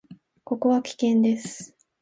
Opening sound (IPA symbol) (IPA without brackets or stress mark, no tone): k